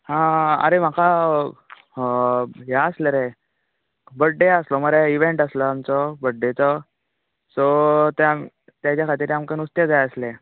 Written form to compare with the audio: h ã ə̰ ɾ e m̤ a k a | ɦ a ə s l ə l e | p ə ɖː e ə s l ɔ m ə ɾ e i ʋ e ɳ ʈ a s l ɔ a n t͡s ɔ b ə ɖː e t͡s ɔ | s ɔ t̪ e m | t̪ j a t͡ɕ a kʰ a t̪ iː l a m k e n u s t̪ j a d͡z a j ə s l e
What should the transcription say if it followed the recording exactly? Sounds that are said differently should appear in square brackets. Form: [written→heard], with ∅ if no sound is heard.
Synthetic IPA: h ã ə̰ ɾ e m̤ a k a | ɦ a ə s l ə [l→ɾ] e | [p→b] ə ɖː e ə s l ɔ m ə ɾ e i ʋ e ɳ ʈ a s l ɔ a [n→m] t͡s ɔ b ə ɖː e t͡s ɔ | s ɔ t̪ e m | t̪ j a t͡ɕ a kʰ a t̪ iː [l→ɾ] a m k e n u s t̪ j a d͡z a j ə s l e